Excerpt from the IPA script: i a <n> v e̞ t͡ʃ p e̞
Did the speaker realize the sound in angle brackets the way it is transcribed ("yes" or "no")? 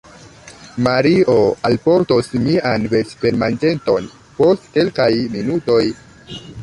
yes